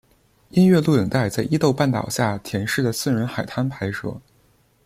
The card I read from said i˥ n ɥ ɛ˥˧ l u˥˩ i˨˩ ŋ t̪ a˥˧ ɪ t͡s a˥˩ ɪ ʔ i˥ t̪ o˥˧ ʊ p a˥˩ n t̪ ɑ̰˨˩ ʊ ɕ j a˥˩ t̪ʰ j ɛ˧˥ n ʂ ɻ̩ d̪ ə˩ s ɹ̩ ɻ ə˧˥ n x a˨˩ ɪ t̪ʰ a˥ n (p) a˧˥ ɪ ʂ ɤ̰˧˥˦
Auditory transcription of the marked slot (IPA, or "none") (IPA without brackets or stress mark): pʰ